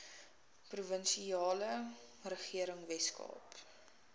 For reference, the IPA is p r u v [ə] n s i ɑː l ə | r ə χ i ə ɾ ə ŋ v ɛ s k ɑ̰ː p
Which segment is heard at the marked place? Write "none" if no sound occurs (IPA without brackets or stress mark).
ə